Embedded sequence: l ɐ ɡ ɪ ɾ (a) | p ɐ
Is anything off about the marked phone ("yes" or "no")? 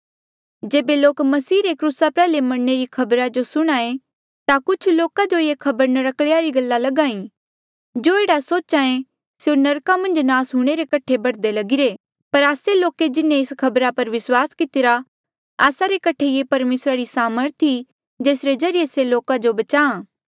yes